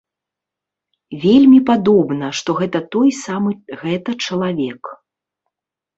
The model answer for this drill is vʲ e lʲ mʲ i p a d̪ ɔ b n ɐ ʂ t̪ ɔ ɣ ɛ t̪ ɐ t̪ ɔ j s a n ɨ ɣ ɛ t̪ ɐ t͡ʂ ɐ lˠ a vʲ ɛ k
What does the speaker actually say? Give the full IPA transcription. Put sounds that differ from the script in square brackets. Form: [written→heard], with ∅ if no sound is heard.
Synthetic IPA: vʲ e lʲ mʲ i p a d̪ ɔ b n ɐ ʂ t̪ ɔ ɣ ɛ t̪ ɐ t̪ ɔ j s a [n→m] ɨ ɣ ɛ t̪ ɐ t͡ʂ ɐ lˠ a vʲ ɛ k